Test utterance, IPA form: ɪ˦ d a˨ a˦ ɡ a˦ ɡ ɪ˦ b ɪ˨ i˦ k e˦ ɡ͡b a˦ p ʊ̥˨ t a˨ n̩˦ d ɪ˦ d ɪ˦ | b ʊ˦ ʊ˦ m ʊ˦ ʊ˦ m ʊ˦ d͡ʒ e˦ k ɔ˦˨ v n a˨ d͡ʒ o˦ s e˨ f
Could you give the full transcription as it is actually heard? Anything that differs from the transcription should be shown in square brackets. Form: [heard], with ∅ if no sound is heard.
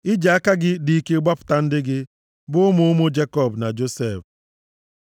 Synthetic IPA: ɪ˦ [d͡ʒ] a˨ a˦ [k] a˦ ɡ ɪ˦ [d] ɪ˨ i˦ k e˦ ɡ͡b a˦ p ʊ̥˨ t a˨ n̩˦ d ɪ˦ [ɡ] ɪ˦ | b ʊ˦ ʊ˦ m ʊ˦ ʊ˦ m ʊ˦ d͡ʒ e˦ k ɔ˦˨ [b] n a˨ d͡ʒ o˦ s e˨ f